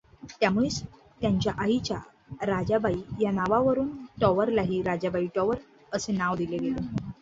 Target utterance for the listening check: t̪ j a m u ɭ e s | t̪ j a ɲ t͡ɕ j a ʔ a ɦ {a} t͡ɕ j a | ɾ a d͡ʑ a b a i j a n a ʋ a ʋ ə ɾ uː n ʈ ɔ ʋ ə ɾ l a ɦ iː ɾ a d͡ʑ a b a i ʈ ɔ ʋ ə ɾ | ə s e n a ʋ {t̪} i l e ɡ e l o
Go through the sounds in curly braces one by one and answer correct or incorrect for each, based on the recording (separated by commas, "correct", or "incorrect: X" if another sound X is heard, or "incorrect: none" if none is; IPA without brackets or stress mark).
incorrect: i, incorrect: d̪